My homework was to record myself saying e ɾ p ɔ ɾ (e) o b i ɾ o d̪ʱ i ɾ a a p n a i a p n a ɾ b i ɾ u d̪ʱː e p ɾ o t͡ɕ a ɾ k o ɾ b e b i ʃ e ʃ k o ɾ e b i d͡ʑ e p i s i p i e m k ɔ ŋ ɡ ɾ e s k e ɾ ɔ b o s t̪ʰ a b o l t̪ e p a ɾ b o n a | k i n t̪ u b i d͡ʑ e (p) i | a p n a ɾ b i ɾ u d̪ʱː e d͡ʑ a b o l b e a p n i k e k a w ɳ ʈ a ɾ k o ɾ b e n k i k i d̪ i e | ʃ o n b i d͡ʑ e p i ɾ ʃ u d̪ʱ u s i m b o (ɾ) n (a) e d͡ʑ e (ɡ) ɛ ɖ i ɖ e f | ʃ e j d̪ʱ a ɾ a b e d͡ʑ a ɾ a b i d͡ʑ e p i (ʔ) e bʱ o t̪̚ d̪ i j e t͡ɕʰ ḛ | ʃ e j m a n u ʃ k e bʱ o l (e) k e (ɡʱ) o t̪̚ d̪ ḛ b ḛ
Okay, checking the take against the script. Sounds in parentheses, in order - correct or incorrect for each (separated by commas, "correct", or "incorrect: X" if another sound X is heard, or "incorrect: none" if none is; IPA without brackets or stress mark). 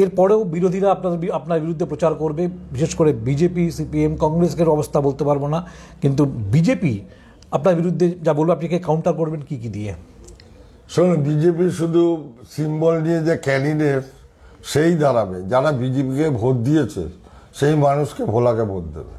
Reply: correct, correct, incorrect: l, incorrect: i, incorrect: k, incorrect: k, incorrect: a, incorrect: bʱ